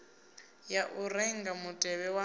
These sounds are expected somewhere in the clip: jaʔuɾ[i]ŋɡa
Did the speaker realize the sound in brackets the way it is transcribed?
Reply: no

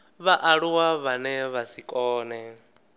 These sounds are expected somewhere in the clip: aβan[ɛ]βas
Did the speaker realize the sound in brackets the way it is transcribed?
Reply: yes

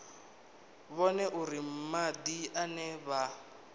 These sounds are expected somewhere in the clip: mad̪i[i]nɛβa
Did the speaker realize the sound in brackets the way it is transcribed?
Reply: no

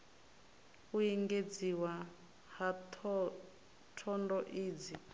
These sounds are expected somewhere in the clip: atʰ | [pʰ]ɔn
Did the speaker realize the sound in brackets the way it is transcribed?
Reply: no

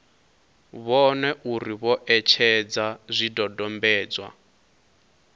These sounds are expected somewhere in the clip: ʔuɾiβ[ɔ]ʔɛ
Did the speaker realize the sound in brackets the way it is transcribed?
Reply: yes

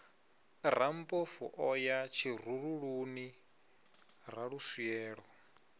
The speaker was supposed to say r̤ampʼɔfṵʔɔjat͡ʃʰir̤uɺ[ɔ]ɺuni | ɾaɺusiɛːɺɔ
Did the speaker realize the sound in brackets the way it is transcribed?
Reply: no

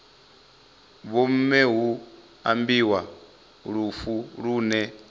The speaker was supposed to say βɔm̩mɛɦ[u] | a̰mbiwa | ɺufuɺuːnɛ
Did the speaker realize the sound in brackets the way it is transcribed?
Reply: yes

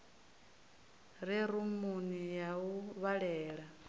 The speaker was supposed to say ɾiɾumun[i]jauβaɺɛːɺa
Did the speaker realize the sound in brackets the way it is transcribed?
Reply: yes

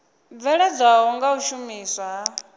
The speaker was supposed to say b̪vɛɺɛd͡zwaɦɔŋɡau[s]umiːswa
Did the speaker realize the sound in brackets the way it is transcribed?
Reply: no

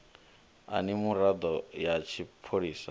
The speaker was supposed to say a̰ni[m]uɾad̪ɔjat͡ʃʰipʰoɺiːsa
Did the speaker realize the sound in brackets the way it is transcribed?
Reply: yes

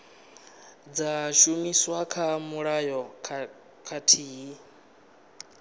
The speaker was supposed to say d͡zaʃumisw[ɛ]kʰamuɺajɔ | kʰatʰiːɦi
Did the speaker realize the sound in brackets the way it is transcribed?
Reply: no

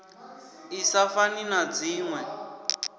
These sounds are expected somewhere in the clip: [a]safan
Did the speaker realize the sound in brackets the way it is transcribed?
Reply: no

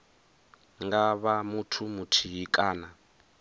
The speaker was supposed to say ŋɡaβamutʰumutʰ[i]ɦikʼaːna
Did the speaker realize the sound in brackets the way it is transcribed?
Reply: yes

